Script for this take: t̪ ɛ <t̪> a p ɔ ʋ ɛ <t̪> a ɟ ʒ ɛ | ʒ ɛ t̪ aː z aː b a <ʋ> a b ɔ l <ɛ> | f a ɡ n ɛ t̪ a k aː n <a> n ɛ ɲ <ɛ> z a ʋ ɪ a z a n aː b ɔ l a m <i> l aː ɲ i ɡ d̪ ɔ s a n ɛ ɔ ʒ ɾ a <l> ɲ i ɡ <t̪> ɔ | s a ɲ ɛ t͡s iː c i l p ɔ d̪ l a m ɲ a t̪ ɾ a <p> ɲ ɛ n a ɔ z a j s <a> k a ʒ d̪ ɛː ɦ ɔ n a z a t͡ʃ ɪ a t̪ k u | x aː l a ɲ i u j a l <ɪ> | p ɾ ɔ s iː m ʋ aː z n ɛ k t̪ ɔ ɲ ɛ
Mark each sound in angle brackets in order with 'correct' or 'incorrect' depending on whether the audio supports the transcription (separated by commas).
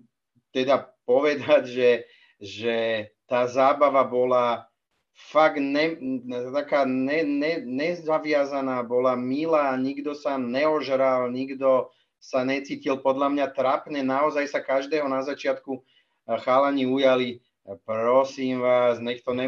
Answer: incorrect, incorrect, correct, incorrect, incorrect, correct, correct, correct, incorrect, correct, correct, incorrect